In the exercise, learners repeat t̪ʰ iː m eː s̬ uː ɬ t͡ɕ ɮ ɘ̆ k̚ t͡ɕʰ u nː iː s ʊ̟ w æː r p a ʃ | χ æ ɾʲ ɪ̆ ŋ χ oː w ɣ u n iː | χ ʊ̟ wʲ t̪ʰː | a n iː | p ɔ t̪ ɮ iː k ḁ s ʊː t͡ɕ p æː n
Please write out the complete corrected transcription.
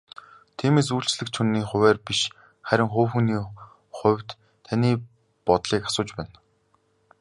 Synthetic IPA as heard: t̪ʰ iː m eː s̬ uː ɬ t͡ɕ ɮ ɘ̆ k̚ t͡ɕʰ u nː iː χ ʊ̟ w æː r p i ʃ | χ æ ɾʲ ɪ̆ ŋ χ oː w x u n iː | χ ʊ̟ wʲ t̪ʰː | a n iː | p ɔ t̪ ɮ iː k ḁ s ʊː t͡ɕ p æː n